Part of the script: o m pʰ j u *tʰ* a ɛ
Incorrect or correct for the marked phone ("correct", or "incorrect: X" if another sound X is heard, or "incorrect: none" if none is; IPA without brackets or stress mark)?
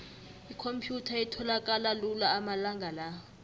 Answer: correct